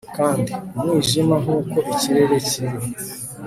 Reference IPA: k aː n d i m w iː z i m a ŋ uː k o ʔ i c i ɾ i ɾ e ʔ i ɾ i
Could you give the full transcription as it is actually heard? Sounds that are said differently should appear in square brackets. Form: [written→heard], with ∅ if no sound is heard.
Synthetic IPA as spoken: k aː n d i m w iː [z→ʒ] i m a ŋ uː k o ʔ i c i ɾ [i→e] ɾ e [ʔ→c] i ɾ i